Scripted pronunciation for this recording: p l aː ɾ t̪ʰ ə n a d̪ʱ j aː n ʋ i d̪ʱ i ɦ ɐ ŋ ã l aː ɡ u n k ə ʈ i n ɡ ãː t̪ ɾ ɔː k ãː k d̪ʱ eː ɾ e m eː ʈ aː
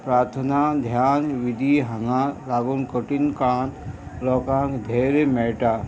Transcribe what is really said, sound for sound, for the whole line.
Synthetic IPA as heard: p ɾ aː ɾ t̪ʰ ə n a d̪ʱ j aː n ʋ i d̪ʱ i ɦ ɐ ŋ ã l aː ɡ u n k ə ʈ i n k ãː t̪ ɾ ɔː k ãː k d̪ʱ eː ɾ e m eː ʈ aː